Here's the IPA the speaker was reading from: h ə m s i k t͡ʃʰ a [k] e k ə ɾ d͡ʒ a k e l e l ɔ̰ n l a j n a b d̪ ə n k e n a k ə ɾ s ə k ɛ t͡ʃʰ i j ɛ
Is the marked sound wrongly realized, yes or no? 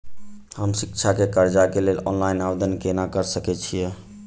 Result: no